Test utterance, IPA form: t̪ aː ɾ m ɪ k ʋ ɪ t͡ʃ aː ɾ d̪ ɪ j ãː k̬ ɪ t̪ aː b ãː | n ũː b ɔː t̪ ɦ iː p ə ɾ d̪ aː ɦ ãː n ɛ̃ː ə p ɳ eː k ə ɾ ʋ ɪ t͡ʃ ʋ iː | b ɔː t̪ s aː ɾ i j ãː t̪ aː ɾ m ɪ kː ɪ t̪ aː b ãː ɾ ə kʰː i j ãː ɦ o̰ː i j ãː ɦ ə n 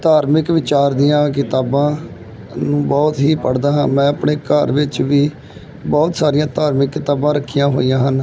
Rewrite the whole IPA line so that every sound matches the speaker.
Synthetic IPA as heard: t̪ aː ɾ m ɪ k ʋ ɪ t͡ʃ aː ɾ d̪ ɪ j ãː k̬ ɪ t̪ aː b ãː | n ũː b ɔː t̪ ɦ iː p ə ɽ d̪ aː ɦ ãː m ɛ̃ː ə p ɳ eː k ə ɾ ʋ ɪ t͡ʃ ʋ iː | b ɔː t̪ s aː ɾ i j ãː t̪ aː ɾ m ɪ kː ɪ t̪ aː b ãː ɾ ə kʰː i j ãː ɦ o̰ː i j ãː ɦ ə n